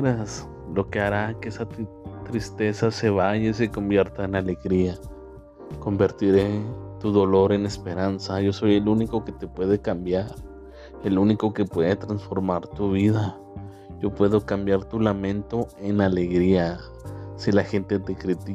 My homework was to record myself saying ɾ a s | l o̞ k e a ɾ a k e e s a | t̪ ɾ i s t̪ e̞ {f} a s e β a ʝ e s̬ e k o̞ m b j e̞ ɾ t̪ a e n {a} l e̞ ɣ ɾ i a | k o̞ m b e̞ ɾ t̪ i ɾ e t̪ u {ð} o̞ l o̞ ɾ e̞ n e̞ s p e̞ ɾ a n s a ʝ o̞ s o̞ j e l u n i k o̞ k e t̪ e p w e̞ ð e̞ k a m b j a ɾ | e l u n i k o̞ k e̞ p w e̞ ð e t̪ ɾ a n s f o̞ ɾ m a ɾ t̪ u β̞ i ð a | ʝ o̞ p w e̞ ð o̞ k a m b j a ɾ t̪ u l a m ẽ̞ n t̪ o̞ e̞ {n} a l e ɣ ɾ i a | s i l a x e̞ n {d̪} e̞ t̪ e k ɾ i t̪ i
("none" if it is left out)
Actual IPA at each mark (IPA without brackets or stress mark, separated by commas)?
s, a, ð, n, t̪